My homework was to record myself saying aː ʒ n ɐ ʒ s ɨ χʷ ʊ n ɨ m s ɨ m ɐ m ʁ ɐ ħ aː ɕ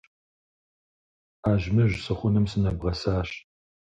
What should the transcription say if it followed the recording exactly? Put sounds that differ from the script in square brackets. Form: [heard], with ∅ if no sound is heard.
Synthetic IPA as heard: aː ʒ [m] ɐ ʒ s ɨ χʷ ʊ n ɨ m s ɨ [n] ɐ [b] ʁ ɐ [s] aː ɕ